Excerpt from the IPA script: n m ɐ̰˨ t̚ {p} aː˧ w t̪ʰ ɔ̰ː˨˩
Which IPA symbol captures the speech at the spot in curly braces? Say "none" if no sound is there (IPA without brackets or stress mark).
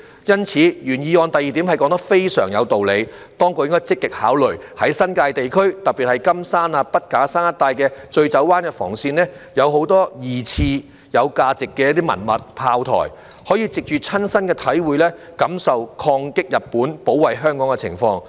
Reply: pʰ